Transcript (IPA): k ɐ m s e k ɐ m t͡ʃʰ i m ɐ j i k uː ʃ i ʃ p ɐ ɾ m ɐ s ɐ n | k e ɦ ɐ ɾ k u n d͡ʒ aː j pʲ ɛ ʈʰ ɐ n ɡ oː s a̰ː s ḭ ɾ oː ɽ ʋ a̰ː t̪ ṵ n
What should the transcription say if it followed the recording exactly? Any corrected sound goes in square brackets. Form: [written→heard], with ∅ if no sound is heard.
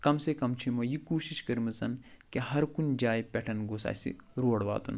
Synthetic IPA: k ɐ m s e k ɐ m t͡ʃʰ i m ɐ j i k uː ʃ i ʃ [p→k] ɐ ɾ m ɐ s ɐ n | k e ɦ ɐ ɾ k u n d͡ʒ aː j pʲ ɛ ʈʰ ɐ n ɡ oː s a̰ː s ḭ ɾ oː ɽ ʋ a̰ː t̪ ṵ n